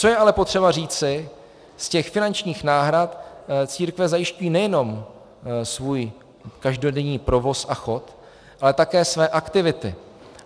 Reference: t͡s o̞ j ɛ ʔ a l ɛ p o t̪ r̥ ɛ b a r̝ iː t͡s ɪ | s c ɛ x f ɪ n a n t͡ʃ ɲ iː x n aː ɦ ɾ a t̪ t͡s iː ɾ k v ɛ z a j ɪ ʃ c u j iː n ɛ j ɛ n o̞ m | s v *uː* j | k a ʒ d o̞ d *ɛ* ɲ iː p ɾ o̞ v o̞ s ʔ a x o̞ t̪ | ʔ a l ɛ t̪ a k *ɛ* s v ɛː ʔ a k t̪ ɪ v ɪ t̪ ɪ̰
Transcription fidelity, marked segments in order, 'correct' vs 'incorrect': correct, correct, incorrect

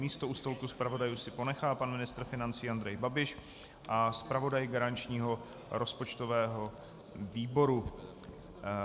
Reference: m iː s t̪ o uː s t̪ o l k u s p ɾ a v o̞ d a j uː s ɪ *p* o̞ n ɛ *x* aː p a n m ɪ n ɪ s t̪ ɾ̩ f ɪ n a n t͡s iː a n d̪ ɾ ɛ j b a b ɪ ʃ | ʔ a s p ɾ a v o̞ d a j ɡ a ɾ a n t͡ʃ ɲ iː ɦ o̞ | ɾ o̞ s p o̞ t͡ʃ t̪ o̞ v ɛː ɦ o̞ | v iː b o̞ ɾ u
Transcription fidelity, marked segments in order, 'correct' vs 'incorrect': correct, correct

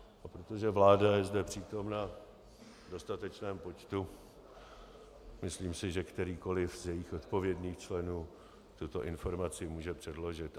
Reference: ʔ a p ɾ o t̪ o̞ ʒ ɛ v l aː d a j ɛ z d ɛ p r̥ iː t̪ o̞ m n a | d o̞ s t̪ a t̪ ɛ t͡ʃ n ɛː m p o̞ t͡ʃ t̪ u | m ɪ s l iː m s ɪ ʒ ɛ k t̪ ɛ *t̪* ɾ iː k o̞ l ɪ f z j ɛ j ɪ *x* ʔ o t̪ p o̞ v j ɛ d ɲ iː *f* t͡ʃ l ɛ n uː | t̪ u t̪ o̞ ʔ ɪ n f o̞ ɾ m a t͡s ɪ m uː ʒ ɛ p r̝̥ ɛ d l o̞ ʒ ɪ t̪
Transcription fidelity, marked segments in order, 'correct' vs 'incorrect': incorrect, correct, incorrect

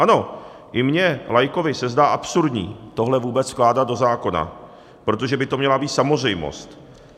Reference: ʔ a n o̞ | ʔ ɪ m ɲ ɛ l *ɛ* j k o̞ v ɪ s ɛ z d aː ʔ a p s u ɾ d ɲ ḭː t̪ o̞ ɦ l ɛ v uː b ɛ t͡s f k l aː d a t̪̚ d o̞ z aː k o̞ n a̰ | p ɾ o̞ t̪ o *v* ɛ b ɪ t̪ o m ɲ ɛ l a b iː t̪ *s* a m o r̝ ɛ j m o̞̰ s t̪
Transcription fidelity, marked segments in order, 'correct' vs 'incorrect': incorrect, incorrect, correct

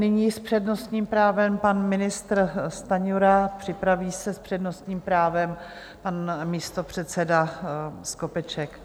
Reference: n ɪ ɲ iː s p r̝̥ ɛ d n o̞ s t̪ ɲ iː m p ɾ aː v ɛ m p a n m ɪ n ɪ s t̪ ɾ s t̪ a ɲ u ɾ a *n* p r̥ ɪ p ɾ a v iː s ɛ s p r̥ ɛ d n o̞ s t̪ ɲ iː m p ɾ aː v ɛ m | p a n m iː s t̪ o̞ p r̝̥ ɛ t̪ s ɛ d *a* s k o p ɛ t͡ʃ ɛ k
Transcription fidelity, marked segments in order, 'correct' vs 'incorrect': incorrect, correct

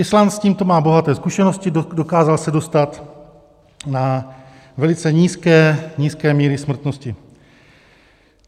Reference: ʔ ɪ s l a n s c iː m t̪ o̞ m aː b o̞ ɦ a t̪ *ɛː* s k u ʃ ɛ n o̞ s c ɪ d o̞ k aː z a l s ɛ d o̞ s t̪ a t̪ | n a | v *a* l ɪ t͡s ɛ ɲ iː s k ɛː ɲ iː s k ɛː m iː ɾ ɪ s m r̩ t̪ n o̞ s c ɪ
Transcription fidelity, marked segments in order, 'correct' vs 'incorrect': correct, incorrect

